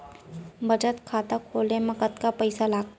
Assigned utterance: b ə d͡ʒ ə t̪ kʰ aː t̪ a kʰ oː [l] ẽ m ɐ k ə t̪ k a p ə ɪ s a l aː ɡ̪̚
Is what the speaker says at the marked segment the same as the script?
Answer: yes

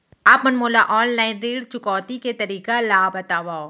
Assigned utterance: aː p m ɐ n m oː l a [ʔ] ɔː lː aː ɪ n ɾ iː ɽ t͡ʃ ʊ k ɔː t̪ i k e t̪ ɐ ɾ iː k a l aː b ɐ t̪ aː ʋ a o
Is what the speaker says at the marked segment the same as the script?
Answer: yes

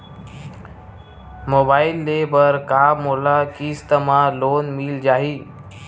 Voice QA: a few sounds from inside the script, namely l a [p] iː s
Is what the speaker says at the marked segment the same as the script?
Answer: no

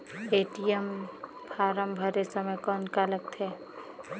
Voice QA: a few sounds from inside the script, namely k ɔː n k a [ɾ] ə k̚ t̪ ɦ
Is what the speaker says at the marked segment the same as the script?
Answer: no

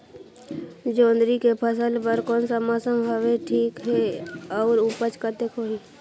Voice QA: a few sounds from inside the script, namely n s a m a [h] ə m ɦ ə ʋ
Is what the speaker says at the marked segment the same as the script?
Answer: no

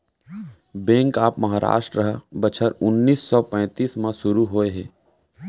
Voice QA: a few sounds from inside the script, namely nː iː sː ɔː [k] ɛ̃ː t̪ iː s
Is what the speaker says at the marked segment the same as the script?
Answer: no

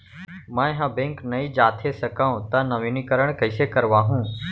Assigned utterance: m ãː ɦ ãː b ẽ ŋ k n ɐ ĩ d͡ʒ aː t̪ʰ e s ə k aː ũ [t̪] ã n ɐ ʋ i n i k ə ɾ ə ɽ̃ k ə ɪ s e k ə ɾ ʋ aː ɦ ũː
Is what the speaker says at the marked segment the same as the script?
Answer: yes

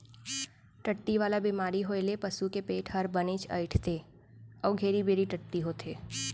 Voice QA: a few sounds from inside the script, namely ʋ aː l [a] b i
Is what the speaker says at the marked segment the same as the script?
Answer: yes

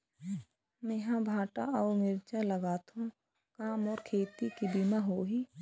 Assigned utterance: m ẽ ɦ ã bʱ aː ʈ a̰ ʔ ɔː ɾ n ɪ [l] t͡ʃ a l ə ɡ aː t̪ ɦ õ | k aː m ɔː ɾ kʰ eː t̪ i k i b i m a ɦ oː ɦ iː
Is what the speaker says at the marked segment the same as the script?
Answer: no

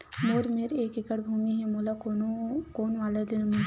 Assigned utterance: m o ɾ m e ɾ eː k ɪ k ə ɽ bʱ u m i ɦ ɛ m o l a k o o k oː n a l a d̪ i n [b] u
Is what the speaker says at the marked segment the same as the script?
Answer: no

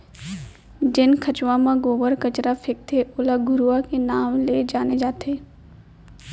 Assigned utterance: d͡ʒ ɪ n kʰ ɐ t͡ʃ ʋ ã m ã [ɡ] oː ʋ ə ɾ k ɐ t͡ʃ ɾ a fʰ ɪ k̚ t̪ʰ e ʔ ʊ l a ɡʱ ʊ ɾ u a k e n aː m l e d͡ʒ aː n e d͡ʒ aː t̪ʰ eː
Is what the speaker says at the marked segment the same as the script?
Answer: yes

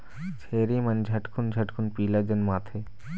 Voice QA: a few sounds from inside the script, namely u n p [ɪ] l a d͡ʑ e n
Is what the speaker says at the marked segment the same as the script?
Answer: no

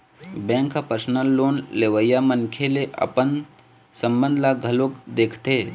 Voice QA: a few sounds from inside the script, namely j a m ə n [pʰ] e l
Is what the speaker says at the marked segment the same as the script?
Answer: no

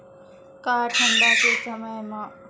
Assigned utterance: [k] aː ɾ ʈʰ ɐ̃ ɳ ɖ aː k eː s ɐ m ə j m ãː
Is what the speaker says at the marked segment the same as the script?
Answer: yes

